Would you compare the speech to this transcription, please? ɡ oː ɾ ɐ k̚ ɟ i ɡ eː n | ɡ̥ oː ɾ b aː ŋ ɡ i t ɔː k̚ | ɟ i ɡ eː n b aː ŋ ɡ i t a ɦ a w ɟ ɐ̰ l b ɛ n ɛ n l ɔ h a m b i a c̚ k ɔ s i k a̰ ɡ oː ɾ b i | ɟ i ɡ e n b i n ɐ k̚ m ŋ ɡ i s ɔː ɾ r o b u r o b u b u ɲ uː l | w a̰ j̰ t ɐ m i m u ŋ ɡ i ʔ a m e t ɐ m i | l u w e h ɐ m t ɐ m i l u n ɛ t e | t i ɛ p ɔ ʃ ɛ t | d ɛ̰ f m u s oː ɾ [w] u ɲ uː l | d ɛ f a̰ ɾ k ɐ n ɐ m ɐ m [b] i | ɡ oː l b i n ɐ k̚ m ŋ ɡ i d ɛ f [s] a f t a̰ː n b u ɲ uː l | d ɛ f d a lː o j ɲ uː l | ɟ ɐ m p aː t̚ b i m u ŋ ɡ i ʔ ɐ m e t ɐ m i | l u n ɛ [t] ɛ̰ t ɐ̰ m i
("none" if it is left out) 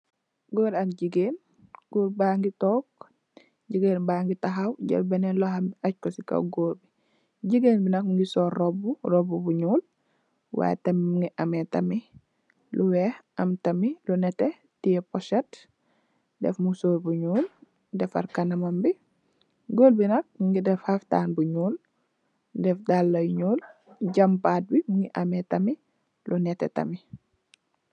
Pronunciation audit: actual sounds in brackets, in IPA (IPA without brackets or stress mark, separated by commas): b, b, h, t